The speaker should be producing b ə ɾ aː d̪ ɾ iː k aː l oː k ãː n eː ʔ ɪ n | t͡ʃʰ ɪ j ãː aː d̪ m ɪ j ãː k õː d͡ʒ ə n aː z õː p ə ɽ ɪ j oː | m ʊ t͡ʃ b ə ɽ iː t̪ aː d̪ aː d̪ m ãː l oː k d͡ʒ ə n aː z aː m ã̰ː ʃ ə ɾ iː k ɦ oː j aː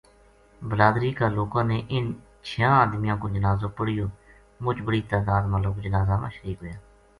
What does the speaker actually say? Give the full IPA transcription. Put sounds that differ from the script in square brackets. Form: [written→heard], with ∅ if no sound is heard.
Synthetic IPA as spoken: b ə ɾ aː d̪ ɾ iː k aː l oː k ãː n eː ʔ ɪ n | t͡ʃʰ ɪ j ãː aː d̪ m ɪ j ãː k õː d͡ʒ ə n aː z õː p ə ɽ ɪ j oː | m ʊ t͡ʃ b ə ɽ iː t̪ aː d̪ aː d̪ m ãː l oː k d͡ʒ ə n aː z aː m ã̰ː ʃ ə ɾ iː k ɦ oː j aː